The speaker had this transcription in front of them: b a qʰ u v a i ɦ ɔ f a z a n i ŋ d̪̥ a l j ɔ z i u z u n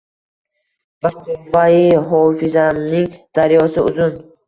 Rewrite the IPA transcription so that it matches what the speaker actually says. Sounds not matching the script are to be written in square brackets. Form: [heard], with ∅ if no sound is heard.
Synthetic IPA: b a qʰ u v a i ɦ ɔ f [i] z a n i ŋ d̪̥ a [ɾ] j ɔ [s] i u z u n